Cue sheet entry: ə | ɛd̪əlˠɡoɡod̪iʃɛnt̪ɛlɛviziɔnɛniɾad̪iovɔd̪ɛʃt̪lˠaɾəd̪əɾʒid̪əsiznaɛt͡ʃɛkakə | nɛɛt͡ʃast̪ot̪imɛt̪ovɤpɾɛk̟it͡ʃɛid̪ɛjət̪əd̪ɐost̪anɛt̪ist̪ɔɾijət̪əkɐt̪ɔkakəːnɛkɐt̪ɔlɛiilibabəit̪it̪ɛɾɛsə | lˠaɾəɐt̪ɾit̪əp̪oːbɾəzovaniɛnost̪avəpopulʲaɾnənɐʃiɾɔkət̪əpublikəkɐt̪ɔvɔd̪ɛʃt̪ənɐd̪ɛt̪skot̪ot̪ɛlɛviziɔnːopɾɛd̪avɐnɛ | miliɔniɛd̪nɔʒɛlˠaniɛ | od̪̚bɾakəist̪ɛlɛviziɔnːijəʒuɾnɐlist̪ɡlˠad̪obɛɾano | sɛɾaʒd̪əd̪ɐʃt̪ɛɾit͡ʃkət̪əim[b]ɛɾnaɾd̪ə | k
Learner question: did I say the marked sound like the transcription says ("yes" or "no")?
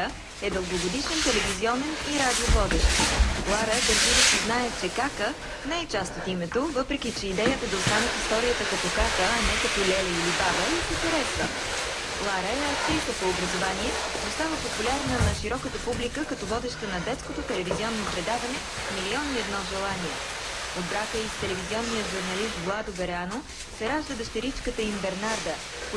yes